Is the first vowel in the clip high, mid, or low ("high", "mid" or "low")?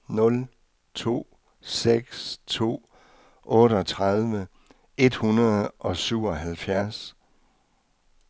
mid